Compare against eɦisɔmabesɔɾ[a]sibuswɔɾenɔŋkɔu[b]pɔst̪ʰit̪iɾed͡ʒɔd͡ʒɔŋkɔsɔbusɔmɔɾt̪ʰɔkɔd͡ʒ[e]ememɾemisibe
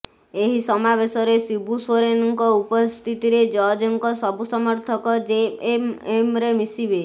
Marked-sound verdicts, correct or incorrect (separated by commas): incorrect, incorrect, correct